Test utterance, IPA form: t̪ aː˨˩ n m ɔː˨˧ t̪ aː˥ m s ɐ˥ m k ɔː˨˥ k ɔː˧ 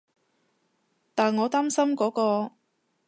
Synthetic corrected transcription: t̪ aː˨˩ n ŋ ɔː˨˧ t̪ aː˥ m s ɐ˥ m k ɔː˨˥ k ɔː˧